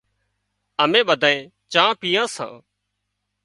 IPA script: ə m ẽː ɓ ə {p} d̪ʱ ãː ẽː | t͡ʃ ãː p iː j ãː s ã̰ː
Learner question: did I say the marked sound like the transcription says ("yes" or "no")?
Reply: no